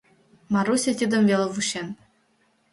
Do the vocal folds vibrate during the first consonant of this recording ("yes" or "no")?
yes